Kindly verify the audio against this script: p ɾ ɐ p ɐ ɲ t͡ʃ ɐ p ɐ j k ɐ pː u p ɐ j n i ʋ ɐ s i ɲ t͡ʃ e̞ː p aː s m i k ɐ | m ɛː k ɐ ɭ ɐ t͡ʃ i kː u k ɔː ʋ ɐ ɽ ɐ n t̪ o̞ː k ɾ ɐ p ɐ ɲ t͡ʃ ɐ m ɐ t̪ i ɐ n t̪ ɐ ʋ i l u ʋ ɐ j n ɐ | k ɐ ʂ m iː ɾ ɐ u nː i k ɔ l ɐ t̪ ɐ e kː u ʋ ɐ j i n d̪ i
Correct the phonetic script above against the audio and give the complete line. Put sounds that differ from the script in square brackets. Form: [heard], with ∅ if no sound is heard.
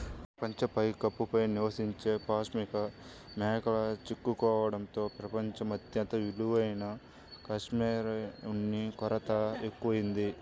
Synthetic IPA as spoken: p ɾ ɐ p ɐ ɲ t͡ʃ ɐ p ɐ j k ɐ pː u p ɐ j n i ʋ ɐ s i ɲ t͡ʃ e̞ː p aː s m i k ɐ | m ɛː k ɐ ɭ ɐ t͡ʃ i kː u k ɔː ʋ ɐ ɽ ɐ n t̪ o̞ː [p] ɾ ɐ p ɐ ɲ t͡ʃ ɐ m ɐ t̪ [j] ɐ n t̪ ɐ ʋ i l u ʋ ɐ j n ɐ | k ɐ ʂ m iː ɾ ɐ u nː i k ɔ [ɾ] ɐ t̪ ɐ e kː u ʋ ɐ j i n d̪ i